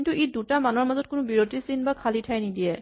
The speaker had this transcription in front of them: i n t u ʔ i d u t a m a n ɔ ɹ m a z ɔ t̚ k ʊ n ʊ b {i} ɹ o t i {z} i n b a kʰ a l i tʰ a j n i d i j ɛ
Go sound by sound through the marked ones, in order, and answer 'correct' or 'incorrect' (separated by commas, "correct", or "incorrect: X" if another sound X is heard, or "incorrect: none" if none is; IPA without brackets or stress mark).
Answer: correct, incorrect: s